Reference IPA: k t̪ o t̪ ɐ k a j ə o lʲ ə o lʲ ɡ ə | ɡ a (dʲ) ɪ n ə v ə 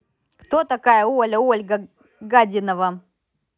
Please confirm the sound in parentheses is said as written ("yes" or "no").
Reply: yes